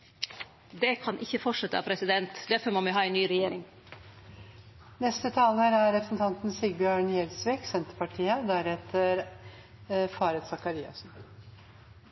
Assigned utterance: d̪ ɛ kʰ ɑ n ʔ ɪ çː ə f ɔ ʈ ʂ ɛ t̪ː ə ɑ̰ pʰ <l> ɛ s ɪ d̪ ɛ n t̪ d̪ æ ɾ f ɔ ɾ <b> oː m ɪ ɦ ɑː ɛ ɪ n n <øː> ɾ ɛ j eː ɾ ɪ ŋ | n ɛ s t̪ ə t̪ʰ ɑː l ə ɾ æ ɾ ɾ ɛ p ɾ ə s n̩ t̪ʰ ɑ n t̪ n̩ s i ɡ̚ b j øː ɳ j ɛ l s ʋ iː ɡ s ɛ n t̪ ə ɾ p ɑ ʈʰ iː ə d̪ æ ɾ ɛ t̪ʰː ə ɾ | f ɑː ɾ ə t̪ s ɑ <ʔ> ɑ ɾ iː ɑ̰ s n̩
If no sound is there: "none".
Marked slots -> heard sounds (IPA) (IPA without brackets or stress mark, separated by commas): ɾ, m, yː, k